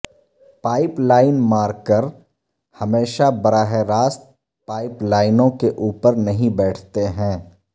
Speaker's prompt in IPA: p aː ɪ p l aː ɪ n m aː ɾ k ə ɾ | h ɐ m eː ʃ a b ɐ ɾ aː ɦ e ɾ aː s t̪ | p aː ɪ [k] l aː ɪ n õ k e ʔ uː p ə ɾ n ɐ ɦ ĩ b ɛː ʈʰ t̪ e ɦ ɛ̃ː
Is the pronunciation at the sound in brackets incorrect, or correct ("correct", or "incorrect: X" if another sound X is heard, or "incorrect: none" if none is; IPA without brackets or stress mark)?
incorrect: p